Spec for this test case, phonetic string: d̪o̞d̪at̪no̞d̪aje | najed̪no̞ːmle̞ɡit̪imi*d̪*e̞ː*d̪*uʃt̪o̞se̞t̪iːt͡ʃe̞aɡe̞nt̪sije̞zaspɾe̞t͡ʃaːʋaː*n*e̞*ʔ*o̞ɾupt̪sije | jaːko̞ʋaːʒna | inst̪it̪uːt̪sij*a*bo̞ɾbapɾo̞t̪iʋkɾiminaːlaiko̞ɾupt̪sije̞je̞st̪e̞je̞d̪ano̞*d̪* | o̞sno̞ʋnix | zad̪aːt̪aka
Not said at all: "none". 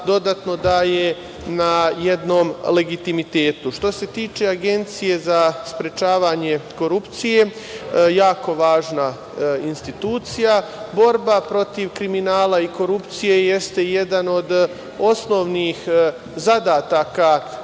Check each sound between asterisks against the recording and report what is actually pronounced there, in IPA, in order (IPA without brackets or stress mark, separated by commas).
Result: t̪, t̪, ɲ, k, a, d̪